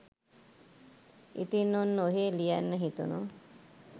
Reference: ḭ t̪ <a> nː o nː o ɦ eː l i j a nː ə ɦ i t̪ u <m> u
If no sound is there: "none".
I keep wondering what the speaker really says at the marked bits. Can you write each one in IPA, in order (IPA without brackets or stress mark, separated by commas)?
i, n